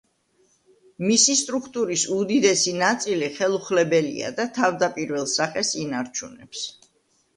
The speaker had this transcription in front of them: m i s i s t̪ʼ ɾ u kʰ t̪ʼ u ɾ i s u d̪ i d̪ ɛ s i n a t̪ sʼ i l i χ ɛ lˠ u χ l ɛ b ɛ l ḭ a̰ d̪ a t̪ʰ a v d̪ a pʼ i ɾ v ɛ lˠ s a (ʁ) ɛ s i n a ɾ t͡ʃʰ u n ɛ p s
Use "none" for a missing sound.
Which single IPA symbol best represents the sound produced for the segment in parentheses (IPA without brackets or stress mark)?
χ